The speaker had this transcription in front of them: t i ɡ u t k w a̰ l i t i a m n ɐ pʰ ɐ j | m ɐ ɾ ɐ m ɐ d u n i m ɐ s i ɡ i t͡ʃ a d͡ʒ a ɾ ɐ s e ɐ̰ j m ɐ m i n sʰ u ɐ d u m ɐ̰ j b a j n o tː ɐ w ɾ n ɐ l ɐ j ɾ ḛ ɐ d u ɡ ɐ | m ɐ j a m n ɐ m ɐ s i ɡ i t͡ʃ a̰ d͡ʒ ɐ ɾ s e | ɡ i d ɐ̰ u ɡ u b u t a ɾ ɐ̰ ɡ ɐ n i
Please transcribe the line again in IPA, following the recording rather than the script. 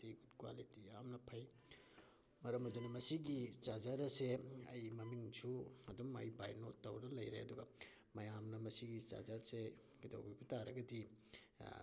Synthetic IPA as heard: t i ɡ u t k w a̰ l i t i a m n ɐ pʰ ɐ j | m ɐ ɾ ɐ m ɐ d u n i m ɐ s i ɡ i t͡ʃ a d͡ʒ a ɾ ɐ s e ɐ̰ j m ɐ m i ŋ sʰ u ɐ d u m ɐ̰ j b a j n o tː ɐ w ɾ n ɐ l ɐ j ɾ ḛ ɐ d u ɡ ɐ | m ɐ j a m n ɐ m ɐ s i ɡ i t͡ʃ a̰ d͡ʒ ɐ ɾ s e | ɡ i d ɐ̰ w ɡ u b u t a ɾ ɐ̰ ɡ ɐ d i